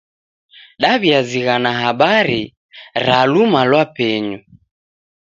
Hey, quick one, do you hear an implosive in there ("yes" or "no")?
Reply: yes